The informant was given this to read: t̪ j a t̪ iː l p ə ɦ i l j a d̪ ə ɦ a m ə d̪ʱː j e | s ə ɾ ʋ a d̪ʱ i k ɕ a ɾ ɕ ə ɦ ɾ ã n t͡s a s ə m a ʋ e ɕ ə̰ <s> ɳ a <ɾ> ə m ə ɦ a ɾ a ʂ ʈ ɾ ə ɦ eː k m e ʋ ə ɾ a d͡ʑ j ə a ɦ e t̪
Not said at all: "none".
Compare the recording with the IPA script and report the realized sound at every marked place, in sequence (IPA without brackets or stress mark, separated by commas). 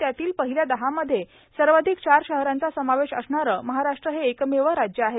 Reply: s, ɾ